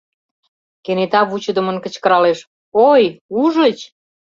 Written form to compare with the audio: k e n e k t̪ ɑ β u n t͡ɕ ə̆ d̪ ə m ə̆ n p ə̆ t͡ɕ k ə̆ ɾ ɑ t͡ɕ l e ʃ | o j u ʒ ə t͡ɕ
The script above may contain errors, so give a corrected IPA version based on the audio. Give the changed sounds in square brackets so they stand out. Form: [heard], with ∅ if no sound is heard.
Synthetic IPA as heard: k e n e [∅] t̪ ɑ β u [∅] t͡ɕ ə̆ d̪ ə m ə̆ n [k] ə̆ t͡ɕ k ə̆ ɾ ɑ [∅] l e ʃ | o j u ʒ ə t͡ɕ